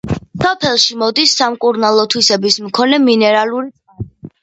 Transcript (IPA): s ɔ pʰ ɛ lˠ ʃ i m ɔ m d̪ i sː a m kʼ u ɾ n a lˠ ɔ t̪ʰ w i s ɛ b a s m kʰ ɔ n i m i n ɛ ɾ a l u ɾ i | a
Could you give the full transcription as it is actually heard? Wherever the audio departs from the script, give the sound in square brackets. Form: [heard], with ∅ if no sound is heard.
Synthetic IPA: s ɔ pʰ ɛ lˠ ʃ i m ɔ [∅] d̪ i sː a m kʼ u ɾ n a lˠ ɔ t̪ʰ w i s ɛ b [i] s m kʰ ɔ n [ɛ] m i n ɛ ɾ a l u ɾ i | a